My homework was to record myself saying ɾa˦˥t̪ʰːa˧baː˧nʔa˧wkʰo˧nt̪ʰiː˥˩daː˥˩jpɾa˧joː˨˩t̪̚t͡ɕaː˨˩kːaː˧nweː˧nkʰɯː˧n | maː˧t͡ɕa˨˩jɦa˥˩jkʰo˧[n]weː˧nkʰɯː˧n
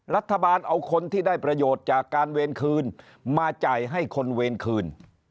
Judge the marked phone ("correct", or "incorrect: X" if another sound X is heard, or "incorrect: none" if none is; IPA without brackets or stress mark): correct